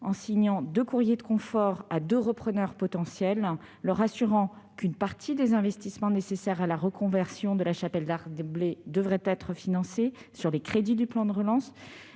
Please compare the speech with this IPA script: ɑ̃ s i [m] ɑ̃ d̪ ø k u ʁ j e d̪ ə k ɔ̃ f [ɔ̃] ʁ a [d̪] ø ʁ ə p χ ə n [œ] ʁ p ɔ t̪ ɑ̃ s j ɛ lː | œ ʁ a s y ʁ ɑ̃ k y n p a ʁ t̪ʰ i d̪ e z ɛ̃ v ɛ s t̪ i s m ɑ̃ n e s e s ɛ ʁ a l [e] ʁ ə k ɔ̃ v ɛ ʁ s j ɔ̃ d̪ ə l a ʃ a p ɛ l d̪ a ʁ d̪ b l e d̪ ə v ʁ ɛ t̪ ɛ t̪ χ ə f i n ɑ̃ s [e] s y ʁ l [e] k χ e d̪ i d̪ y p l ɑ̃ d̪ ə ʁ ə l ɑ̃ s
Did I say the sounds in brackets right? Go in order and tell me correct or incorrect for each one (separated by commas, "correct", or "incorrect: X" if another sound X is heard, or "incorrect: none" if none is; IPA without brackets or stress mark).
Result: incorrect: ɲ, incorrect: ɔ, correct, correct, incorrect: a, correct, correct